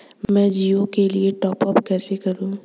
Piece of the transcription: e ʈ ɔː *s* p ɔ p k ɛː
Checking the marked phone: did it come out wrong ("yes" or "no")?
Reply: yes